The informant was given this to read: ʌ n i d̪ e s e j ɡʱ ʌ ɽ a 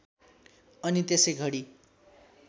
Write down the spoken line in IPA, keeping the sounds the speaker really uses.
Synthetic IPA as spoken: ʌ n i t̪ e s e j ɡʱ ʌ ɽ i